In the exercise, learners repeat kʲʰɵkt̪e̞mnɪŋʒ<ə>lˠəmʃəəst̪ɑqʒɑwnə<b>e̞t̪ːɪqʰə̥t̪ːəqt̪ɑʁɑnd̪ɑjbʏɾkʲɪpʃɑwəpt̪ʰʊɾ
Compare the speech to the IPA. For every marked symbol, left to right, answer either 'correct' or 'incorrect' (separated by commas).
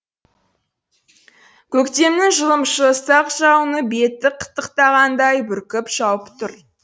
correct, correct